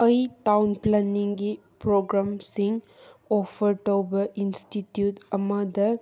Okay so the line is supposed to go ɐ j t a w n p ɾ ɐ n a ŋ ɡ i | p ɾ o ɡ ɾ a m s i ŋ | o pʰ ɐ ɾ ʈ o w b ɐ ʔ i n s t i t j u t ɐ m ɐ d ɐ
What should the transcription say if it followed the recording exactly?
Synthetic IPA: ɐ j t a w n p l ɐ n i ŋ ɡ i | p ɾ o ɡ ɾ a m s i ŋ | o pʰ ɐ ɾ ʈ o w b ɐ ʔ i n s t i t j u t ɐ m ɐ d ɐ

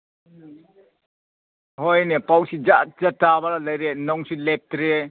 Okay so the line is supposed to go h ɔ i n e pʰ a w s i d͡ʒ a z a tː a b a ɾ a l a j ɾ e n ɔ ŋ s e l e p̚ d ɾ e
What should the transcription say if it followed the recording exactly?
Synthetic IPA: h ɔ j n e p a w s i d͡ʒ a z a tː a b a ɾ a l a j ɾ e n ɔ ŋ s i l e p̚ t ɾ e

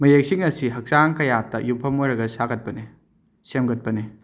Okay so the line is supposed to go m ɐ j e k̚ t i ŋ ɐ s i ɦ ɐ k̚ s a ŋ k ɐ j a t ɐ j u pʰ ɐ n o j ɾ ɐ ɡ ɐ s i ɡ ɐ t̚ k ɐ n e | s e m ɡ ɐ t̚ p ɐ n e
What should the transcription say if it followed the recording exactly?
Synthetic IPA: m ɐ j e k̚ s i ŋ ɐ s i ɦ ɐ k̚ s a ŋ k ɐ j a t ɐ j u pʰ ɐ m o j ɾ ɐ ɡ ɐ s a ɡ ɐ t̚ p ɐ n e | s e m ɡ ɐ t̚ p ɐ n e

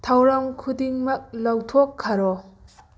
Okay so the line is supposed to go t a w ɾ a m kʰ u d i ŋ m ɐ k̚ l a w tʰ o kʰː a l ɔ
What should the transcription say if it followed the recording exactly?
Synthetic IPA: tʰ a w ɾ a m kʰ u d i ŋ m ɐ k̚ l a w tʰ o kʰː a ɾ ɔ

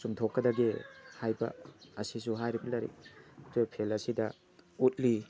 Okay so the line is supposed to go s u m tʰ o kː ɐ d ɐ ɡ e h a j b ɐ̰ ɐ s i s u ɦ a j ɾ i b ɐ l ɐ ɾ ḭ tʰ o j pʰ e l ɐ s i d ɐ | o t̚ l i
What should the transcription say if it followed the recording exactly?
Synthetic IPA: s u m tʰ o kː ɐ d ɐ ɡ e h a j b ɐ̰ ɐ s i s u ɦ a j ɾ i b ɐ l ɐ ɾ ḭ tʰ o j pʰ e l ɐ s i d ɐ | u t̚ l i

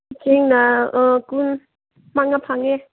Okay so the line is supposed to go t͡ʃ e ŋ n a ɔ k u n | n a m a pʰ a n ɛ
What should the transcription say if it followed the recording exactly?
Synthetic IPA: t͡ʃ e ŋ n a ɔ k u n | m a ŋ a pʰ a ŋ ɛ

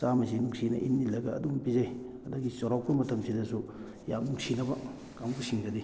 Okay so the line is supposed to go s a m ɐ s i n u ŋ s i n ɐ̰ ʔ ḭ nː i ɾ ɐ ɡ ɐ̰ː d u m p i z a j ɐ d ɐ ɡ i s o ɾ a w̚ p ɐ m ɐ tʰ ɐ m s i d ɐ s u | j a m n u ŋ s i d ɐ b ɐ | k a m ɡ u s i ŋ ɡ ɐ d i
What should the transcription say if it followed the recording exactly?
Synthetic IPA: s a m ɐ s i n u ŋ s i n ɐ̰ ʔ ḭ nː i l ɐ ɡ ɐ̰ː d u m p i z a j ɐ d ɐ ɡ i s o ɾ a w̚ p ɐ m ɐ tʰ ɐ m s i d ɐ s u | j a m n u ŋ s i n ɐ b ɐ | k a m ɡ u s i ŋ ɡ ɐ d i

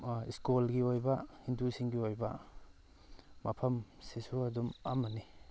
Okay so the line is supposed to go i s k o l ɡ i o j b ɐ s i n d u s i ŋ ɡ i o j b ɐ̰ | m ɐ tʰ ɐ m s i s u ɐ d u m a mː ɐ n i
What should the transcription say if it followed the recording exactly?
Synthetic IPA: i s k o l ɡ i o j b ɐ h i n d u s i ŋ ɡ i o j b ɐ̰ | m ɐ pʰ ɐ m s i s u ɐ d u m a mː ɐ n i

